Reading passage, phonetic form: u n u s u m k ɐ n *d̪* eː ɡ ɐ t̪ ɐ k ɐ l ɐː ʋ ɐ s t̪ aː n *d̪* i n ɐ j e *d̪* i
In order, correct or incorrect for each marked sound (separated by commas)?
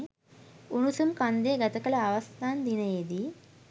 correct, correct, correct